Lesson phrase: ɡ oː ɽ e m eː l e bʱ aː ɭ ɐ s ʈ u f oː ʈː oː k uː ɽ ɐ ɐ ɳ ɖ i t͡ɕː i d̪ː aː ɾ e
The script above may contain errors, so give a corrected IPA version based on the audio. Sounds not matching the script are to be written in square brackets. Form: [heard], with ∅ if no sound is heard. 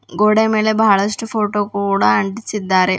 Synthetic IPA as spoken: ɡ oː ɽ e m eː l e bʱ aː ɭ ɐ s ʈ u f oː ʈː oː k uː ɽ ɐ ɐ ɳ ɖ i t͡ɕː i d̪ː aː ɾ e